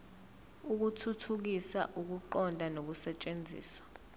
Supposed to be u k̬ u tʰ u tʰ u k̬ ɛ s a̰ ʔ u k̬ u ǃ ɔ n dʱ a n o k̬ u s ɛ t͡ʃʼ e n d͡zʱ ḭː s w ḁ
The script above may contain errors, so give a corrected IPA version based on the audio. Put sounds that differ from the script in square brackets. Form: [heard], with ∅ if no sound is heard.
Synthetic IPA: u k̬ u tʰ u tʰ u k̬ [i] s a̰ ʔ u k̬ u ǃ ɔ n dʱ a n o k̬ u s ɛ t͡ʃʼ e n d͡zʱ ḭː s w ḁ